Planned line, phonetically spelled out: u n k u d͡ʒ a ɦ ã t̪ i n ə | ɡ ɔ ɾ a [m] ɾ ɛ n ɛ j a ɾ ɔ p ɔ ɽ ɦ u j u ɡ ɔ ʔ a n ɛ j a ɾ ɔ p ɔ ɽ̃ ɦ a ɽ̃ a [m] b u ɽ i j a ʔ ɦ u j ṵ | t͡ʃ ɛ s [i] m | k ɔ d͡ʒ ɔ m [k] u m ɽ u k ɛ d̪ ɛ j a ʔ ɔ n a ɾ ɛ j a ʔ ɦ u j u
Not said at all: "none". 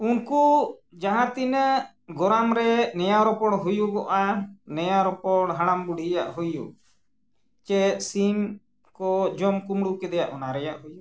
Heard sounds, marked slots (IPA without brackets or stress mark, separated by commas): m, m, i, k